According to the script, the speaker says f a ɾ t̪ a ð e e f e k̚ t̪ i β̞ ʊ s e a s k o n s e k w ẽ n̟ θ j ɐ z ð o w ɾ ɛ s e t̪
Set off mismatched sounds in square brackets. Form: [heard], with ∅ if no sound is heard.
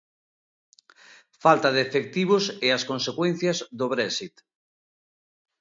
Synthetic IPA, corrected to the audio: f a [l] t̪ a ð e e f e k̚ t̪ i β̞ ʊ s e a s k o n s e k w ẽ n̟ θ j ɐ z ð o [β] ɾ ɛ s [i] t̪